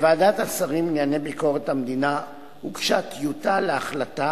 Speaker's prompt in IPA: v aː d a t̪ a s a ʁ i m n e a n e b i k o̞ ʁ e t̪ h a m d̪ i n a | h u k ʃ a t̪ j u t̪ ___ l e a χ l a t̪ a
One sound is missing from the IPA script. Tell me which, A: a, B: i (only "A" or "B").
A